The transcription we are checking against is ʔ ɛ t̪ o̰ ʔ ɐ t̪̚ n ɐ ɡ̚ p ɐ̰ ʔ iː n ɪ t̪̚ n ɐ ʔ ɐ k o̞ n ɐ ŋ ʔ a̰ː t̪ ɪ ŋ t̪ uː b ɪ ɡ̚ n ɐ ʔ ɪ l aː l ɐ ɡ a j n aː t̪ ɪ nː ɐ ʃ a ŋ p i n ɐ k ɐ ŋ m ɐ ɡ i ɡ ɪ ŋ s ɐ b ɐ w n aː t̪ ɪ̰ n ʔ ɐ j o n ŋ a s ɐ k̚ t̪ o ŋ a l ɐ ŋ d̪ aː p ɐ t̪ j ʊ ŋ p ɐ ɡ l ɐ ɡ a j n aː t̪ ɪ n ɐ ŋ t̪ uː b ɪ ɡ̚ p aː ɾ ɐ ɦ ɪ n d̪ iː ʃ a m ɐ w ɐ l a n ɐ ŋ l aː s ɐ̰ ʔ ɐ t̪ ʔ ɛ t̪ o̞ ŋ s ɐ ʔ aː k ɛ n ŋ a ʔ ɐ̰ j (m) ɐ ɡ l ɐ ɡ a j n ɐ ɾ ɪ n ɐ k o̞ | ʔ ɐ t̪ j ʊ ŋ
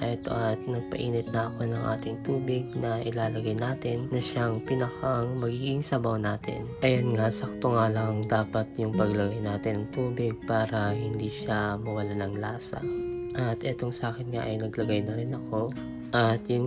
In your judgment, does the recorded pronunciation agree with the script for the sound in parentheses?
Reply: no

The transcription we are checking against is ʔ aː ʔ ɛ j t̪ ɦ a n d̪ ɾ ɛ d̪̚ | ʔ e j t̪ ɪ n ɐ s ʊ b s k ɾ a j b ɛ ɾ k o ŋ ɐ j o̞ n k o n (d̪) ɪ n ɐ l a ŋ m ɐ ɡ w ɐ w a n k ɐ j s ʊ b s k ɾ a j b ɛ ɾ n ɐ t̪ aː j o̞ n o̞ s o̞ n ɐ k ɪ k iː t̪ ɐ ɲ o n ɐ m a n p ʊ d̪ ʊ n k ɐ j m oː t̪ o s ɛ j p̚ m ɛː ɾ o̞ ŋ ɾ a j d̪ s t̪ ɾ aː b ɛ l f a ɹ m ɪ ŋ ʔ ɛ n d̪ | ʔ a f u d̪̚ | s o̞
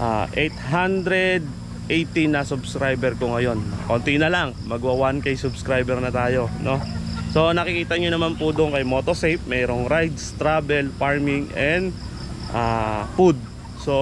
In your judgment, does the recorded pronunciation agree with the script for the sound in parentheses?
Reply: no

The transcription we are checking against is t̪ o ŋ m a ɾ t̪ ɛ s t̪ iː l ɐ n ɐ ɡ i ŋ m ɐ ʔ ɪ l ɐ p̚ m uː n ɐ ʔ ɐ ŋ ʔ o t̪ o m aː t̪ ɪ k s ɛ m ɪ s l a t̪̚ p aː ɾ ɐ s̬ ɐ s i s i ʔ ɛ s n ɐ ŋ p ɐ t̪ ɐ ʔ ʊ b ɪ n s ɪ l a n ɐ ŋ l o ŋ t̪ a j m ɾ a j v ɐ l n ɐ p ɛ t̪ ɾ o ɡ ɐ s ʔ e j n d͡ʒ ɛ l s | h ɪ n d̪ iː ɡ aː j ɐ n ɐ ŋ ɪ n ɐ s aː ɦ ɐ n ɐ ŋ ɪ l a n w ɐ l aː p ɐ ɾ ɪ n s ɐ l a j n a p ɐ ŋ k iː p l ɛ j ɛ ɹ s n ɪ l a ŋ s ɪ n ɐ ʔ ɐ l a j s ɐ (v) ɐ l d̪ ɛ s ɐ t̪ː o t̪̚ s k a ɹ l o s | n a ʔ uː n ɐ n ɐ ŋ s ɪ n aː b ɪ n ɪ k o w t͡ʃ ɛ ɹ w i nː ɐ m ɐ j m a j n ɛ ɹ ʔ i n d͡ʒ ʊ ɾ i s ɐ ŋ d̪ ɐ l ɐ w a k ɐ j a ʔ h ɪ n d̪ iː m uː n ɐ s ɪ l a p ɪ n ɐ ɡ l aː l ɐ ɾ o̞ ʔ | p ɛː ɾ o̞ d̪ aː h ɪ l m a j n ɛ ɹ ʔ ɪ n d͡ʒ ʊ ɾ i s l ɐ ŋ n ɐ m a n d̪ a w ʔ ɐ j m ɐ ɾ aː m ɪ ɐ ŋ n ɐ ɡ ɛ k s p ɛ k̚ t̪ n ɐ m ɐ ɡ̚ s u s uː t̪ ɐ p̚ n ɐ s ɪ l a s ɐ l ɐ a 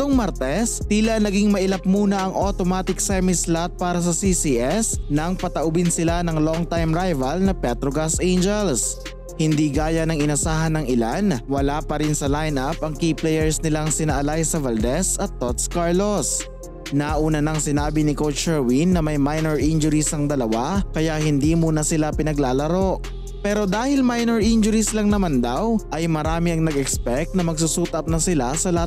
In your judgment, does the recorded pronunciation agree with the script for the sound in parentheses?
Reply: yes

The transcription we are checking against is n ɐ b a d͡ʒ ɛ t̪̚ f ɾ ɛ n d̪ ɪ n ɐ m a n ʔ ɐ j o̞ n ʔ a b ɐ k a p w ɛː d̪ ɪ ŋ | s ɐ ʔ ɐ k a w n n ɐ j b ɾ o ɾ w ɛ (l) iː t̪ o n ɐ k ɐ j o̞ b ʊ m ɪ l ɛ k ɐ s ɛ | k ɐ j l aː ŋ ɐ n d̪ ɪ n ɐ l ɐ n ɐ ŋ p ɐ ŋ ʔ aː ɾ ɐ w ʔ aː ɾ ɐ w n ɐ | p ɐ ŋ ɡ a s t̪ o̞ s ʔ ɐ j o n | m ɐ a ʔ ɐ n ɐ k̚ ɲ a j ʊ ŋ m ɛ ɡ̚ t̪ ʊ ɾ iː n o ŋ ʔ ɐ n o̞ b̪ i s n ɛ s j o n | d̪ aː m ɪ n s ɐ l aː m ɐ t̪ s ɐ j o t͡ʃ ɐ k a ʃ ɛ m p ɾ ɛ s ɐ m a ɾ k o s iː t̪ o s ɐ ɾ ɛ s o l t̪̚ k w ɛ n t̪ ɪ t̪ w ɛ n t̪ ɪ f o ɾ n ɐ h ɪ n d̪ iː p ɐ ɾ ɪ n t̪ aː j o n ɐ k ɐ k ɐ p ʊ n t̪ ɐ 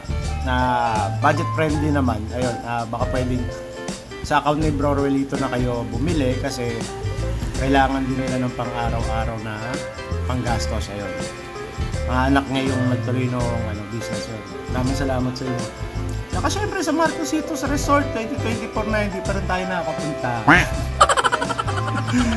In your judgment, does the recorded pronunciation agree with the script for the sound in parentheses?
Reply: yes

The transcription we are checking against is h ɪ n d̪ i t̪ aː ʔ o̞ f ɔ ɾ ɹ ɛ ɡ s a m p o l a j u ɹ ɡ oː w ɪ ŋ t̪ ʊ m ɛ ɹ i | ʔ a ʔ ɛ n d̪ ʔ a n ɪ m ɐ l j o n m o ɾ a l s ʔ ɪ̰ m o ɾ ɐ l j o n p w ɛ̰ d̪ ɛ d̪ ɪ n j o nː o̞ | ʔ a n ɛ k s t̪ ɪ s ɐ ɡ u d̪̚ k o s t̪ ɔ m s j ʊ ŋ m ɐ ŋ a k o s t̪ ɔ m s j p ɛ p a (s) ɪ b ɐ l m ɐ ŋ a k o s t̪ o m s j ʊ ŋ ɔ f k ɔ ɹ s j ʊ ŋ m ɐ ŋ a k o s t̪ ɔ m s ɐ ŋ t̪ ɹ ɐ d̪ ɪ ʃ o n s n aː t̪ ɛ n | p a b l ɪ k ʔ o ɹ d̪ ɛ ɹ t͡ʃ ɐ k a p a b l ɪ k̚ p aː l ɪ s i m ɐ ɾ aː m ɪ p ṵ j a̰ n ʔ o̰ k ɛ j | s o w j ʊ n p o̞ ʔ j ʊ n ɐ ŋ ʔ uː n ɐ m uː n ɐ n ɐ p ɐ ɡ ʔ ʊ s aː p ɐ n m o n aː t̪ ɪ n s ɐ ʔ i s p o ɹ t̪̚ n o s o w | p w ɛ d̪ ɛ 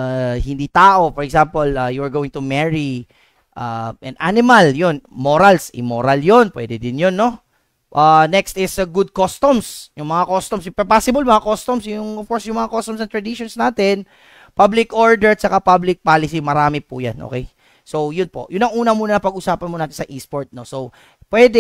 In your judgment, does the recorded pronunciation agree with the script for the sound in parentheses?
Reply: yes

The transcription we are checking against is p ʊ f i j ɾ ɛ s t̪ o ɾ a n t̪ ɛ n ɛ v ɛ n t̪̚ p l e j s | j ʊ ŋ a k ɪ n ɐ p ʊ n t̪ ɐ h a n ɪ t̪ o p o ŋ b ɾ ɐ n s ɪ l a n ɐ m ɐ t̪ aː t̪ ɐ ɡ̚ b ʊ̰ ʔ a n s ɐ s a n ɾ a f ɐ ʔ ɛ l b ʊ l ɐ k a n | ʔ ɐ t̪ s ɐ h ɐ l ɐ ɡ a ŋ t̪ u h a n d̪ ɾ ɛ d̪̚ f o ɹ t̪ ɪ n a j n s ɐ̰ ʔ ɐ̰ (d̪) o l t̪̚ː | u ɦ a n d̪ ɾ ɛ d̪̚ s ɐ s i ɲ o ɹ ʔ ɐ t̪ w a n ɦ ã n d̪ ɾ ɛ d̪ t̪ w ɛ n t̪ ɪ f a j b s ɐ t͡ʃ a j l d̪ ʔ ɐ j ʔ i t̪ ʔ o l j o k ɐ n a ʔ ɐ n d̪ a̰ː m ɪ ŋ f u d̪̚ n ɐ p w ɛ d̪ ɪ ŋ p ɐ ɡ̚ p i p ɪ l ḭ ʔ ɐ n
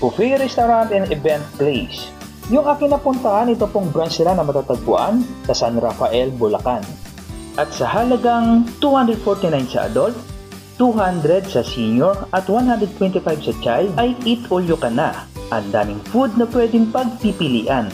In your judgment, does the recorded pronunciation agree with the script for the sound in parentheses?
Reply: yes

